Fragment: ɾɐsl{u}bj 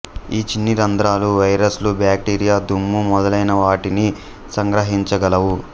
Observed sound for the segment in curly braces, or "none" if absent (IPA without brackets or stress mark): u